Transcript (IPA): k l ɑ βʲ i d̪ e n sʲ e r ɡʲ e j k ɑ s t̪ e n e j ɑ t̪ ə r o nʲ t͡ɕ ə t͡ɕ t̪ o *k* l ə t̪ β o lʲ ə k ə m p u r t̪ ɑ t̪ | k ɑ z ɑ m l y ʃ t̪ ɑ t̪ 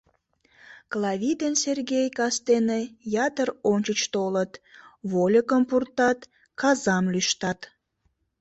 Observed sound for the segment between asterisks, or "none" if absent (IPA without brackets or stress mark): none